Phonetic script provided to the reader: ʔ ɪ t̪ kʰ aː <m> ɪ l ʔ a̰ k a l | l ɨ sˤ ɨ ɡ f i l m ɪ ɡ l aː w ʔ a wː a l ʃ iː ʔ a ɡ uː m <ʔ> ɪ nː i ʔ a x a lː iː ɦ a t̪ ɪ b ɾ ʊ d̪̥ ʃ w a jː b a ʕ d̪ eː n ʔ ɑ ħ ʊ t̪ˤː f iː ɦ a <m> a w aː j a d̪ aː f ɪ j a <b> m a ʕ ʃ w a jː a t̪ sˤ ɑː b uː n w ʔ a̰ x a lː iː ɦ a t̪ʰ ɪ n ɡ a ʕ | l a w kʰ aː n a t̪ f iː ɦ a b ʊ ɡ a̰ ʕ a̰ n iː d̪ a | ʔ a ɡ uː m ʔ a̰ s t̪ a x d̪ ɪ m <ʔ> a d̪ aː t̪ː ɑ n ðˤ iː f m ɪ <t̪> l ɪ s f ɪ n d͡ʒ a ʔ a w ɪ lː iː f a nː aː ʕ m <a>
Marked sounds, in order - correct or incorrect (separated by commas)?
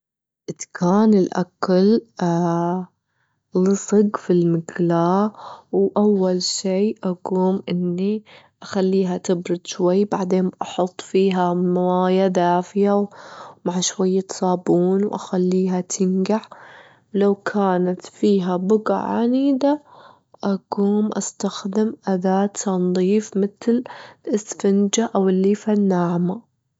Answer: incorrect, correct, correct, incorrect, correct, correct, correct